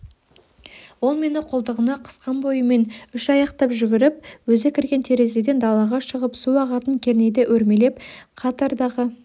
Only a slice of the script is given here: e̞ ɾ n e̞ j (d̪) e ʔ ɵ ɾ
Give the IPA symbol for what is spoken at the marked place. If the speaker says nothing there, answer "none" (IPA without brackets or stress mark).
d̪